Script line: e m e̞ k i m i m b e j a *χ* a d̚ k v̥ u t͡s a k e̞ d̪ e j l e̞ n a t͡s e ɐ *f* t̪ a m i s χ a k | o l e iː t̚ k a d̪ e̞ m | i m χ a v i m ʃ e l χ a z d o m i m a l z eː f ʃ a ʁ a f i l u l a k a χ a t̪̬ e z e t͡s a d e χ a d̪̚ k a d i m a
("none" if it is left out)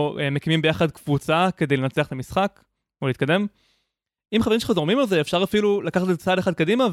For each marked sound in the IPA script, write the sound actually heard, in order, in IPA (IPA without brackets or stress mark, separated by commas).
χ, χ